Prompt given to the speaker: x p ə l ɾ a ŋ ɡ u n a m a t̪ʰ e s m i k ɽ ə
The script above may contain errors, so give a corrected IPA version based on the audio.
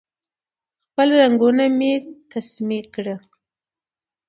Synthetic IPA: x p ə l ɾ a ŋ ɡ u n a m e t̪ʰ a s m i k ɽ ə